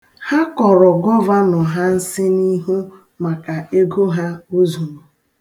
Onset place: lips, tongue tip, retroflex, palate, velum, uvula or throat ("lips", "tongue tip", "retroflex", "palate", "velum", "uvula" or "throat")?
throat